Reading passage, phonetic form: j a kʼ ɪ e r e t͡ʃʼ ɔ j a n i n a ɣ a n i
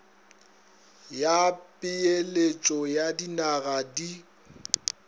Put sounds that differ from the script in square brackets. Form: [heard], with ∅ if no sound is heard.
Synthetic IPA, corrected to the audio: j a [pʼ] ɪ e [l] e t͡ʃʼ ɔ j a [d] i n a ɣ a [d] i

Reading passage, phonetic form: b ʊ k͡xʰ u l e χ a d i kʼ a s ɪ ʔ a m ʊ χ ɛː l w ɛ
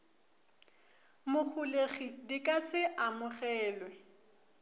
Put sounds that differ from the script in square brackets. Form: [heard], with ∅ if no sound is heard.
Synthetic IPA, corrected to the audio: [m] ʊ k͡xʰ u l e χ [i] d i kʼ a s ɪ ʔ a m ʊ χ ɛː l w ɛ

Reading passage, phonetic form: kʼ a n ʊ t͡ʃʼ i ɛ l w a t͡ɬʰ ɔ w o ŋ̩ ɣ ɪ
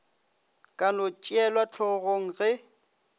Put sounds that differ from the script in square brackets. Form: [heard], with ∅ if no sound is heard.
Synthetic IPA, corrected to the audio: kʼ a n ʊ t͡ʃʼ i ɛ l w a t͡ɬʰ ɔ [ɣ] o ŋ̩ ɣ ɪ

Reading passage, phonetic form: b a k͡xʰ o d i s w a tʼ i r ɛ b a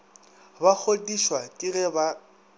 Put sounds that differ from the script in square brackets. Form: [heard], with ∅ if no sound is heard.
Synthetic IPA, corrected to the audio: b a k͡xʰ o d i [ʃ] w a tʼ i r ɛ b a

